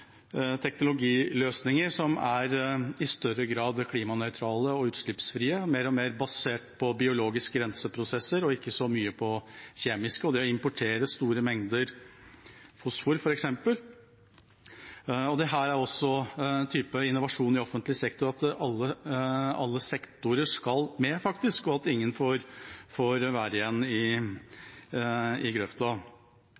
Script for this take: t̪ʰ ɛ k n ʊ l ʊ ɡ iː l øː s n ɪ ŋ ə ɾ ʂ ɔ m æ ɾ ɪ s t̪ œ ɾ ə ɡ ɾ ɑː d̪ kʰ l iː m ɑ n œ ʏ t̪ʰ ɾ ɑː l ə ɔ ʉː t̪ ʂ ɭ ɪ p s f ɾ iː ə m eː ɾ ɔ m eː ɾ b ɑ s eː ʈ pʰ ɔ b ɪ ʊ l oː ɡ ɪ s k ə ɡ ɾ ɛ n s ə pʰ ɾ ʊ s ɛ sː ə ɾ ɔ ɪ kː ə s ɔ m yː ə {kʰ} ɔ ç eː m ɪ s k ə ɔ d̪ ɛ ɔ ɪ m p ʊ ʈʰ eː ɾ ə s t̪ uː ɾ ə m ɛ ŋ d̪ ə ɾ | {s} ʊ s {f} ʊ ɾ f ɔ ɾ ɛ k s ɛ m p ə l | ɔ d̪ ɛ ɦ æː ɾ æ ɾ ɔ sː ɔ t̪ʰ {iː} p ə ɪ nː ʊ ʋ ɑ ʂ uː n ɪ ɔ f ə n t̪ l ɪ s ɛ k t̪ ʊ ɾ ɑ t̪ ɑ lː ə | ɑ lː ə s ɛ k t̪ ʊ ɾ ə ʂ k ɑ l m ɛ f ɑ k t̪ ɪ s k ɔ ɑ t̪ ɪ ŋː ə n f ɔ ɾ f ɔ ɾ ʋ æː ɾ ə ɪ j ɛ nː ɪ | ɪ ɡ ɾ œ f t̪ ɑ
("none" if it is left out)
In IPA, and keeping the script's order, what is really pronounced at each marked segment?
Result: pʰ, f, f, yː

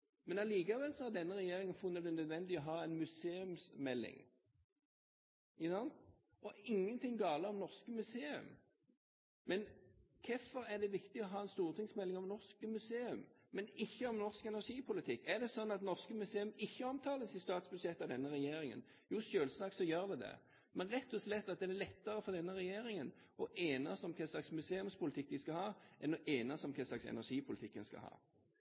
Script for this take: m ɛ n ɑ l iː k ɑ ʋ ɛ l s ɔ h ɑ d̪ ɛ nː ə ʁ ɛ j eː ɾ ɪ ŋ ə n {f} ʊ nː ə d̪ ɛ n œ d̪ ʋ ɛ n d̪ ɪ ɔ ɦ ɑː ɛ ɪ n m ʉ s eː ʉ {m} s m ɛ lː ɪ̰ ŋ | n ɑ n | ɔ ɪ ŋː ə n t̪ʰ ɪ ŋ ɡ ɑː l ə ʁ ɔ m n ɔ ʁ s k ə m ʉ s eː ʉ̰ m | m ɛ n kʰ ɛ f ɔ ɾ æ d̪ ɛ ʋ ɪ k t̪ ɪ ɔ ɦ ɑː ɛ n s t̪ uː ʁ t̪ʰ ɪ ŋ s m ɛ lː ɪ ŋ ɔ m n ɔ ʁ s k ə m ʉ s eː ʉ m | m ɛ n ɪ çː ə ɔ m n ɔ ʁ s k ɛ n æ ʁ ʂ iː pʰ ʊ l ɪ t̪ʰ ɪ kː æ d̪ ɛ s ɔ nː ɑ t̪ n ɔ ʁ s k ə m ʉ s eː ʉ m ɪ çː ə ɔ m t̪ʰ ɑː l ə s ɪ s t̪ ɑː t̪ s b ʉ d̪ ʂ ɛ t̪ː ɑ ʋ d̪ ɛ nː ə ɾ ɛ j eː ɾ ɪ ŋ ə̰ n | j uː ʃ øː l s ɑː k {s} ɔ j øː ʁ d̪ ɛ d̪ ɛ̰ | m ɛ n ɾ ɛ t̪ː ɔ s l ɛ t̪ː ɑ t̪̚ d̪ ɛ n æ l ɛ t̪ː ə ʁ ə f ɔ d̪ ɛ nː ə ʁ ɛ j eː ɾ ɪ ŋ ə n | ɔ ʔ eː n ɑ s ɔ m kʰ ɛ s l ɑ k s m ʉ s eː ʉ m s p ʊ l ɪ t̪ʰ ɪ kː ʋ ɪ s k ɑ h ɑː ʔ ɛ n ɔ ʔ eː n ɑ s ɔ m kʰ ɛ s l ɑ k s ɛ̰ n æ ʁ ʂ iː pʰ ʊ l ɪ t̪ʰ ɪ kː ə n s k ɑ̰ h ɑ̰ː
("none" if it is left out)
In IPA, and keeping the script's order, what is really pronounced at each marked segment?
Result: f, m, s

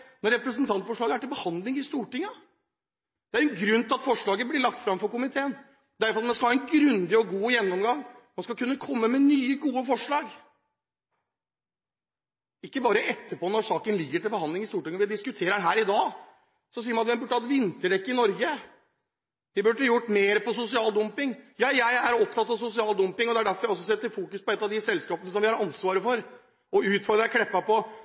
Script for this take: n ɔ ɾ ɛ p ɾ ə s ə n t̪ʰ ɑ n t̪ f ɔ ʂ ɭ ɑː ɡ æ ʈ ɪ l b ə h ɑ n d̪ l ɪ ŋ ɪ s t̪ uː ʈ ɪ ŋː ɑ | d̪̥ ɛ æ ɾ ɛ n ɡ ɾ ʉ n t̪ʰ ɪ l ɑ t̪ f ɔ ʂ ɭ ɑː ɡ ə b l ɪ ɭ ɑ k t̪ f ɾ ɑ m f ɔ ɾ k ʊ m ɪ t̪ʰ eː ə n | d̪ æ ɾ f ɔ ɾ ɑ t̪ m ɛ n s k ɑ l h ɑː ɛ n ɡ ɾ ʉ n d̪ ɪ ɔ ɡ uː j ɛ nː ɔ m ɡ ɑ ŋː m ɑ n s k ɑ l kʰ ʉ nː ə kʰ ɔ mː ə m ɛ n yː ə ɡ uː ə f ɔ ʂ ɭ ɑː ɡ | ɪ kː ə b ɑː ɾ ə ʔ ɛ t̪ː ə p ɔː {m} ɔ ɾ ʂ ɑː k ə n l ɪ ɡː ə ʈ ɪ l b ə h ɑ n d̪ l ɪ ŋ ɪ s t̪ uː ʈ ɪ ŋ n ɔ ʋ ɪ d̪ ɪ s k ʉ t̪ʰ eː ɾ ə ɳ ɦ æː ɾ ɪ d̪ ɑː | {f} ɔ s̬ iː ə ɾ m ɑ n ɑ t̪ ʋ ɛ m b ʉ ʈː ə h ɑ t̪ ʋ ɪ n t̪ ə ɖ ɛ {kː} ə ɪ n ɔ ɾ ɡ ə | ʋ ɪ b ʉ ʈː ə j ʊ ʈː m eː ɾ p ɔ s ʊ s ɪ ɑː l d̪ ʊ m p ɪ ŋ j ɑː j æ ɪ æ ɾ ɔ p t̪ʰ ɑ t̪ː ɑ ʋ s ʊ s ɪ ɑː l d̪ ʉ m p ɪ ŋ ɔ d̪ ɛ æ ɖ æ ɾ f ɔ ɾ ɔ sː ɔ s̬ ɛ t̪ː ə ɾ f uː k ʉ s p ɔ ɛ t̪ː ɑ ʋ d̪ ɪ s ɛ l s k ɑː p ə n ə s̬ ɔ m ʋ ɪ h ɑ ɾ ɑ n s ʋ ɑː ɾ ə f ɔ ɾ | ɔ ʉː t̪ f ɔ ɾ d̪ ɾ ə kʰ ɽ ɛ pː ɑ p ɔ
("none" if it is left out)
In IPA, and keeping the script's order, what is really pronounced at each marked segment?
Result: n, s, kː

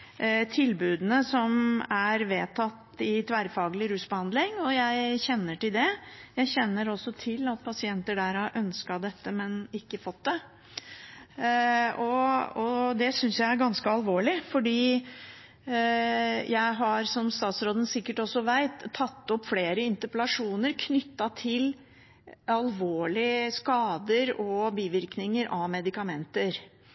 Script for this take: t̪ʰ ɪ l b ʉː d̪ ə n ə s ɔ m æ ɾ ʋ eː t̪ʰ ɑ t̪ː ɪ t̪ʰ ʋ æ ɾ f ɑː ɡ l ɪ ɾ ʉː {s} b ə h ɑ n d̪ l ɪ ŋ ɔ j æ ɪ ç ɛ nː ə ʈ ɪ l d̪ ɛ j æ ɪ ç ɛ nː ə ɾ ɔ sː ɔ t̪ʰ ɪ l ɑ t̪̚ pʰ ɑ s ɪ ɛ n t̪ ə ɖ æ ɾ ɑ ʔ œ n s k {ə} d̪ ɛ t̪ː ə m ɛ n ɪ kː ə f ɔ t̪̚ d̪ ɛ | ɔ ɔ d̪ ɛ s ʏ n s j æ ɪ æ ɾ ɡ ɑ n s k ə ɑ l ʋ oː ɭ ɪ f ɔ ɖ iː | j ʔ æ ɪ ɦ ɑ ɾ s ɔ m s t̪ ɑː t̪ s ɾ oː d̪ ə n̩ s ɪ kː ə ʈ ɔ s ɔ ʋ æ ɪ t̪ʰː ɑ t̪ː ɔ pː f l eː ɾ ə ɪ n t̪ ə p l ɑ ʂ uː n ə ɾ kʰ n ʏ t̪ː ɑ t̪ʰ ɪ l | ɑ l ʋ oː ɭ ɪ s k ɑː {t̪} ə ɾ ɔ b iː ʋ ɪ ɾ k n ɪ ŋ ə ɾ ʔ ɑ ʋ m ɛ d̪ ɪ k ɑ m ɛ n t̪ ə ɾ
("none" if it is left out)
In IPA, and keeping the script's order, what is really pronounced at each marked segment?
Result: s, ɑ, d̪

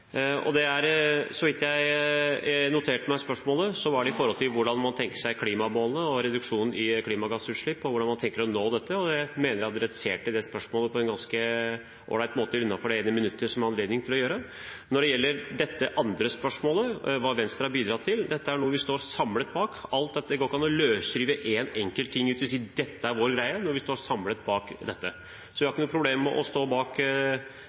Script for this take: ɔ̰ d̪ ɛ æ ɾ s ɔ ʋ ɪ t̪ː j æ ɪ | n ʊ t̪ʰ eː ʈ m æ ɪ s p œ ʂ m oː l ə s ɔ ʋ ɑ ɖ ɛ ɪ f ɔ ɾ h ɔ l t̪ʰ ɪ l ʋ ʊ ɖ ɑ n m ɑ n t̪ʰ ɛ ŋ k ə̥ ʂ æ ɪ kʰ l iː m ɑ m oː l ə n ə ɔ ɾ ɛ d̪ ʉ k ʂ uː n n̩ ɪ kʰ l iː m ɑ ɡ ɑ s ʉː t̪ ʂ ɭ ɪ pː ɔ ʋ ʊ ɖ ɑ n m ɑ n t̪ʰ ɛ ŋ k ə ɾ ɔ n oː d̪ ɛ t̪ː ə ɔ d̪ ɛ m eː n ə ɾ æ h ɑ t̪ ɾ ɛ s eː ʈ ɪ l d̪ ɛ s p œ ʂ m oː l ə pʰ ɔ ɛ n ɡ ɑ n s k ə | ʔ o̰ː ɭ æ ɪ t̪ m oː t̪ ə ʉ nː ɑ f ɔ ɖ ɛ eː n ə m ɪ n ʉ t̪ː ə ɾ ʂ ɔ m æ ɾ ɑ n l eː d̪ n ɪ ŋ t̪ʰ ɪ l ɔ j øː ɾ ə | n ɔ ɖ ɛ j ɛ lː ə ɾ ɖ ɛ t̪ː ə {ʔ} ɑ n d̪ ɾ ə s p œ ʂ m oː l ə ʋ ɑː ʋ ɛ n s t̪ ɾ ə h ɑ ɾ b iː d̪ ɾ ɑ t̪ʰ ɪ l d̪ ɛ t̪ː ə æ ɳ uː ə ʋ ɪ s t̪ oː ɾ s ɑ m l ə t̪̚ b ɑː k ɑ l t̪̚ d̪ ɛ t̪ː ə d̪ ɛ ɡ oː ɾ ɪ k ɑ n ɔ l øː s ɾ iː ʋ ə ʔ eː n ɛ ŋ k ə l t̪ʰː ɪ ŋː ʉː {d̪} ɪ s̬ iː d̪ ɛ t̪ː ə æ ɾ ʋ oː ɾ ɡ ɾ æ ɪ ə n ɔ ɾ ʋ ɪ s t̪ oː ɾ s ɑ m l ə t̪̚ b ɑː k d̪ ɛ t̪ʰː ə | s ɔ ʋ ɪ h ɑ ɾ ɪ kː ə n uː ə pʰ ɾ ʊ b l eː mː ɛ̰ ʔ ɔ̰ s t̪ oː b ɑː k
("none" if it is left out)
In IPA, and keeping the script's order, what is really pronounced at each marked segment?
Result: ʔ, t̪

